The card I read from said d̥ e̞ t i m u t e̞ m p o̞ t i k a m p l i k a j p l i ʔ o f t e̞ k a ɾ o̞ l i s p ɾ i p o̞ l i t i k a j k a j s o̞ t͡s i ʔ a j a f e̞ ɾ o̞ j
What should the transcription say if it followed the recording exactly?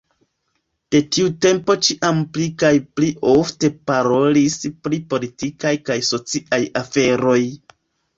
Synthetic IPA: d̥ e̞ t i u t e̞ m p o̞ t͡ʃ i ʔ a m p l i k a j p l i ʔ o f t e̞ p a ɾ o̞ l i s p ɾ i p o̞ l i t i k a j k a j s o̞ t͡s i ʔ a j a f e̞ ɾ o̞ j

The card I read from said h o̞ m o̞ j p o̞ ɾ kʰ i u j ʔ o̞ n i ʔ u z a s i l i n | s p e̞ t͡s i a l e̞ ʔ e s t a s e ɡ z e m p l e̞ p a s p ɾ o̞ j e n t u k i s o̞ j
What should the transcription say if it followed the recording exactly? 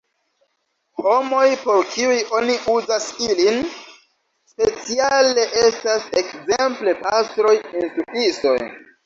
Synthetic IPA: h o̞ m o̞ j p o̞ ɾ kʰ i u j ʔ o̞ n i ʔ u z a s i l i n | s p e̞ t͡s i a l e̞ ʔ e s t a s e k z e m p l e̞ p a s t ɾ o̞ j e n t u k i s o̞ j

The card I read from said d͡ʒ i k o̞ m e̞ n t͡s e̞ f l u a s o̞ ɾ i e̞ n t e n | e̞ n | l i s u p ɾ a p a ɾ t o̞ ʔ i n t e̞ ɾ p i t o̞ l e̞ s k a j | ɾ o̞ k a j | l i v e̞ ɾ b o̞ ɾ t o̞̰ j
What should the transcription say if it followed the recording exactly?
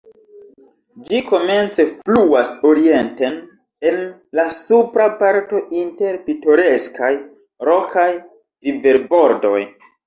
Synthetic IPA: d͡ʒ i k o̞ m e̞ n t͡s e̞ f l u a s o̞ ɾ i e̞ n t e n | e̞ n | l a s u p ɾ a p a ɾ t o̞ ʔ i n t e̞ ɾ p i t o̞ ɾ e̞ s k a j | ɾ o̞ k a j | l i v e̞ ɾ b o̞ ɾ d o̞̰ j

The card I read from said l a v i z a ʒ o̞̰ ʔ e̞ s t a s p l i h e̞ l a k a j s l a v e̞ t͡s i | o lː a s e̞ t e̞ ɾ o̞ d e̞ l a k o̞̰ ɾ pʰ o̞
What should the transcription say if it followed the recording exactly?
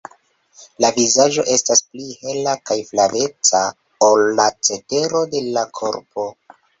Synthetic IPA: l a v i z a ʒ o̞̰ ʔ e̞ s t a s p l i h e̞ l a k a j f l a v e̞ t͡s a | o lː a t͡s e̞ t e̞ ɾ o̞ d e̞ l a kʰ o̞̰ ɾ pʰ o̞

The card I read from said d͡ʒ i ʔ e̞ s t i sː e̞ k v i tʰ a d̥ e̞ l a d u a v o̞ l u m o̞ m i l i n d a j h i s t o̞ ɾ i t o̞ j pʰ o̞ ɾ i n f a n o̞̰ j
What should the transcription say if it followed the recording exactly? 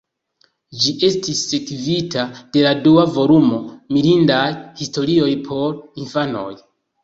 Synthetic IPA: d͡ʒ i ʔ e̞ s t i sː e̞ k v i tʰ a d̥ e̞ l a d u a v o̞ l u m o̞ m i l i n d a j h i s t o̞ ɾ i o̞ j pʰ o̞ ɾ i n f a n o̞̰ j

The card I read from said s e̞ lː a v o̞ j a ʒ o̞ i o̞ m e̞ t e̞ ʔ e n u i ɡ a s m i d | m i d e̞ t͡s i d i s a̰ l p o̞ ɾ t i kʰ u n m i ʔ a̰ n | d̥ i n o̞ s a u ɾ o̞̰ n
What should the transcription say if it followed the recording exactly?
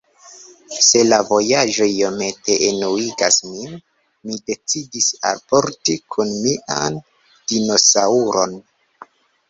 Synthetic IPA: s e̞ l a v o̞ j a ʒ o̞ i o̞ m e̞ t e̞ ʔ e n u i ɡ a s m i n | m i d e̞ t͡s i d i s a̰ l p o̞ ɾ t i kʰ u n m i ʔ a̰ n | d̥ i n o̞ s a u ɾ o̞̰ n

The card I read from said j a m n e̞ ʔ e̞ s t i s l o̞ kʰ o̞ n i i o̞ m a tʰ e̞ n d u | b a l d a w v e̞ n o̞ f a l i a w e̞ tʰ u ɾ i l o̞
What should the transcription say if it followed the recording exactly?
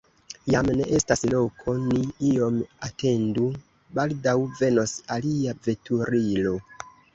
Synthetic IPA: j a m n e̞ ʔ e̞ s t a s l o̞ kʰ o̞ n i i o̞ m a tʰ e̞ n d u | b a l d a w v e̞ n o̞ s a l i a v e̞ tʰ u ɾ i l o̞

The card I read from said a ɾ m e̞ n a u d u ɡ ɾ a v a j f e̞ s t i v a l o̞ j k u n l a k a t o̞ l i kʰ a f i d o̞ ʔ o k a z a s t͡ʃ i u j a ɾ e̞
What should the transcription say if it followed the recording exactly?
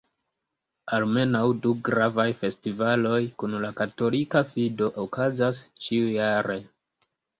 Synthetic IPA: a l m e̞ n a w d u ɡ ɾ a v a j f e̞ s t i v a l o̞ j k u n l a k a t o̞ l i k a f i d o̞ ʔ o k a z a s t͡ʃ i u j a ɾ e̞

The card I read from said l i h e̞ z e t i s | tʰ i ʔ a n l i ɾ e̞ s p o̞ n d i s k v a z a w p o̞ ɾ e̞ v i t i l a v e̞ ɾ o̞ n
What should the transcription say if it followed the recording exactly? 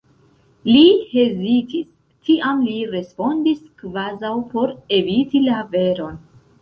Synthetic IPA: l i h e̞ z i t i s | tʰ i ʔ a m l i ɾ e̞ s p o̞ n d i s k v a z a w p o̞ ɾ e̞ v i t i l a v e̞ ɾ o̞ n

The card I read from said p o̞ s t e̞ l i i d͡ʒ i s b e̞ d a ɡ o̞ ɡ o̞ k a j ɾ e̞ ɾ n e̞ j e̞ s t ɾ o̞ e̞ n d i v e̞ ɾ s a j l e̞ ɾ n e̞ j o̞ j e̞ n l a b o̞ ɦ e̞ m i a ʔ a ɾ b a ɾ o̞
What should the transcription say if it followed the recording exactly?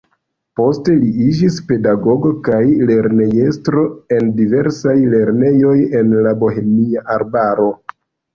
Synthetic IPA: p o̞ s t e̞ l i i d͡ʒ i s p e̞ d a ɡ o̞ ɡ o̞ k a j l e̞ ɾ n e̞ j e̞ s t ɾ o̞ e̞ n d i v e̞ ɾ s a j l e̞ ɾ n e̞ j o̞ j e̞ n l a b o̞ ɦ e̞ m i a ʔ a ɾ b a ɾ o̞

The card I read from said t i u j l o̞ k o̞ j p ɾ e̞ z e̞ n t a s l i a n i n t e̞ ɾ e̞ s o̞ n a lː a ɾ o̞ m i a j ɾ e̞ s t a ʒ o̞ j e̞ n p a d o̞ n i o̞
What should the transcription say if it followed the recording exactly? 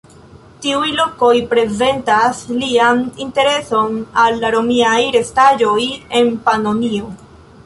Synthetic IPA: t i u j l o̞ k o̞ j p ɾ e̞ z e̞ n t a s l i a n i n t e̞ ɾ e̞ s o̞ n a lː a ɾ o̞ m i a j ɾ e̞ s t a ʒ o̞ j e̞ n p a n o̞ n i o̞

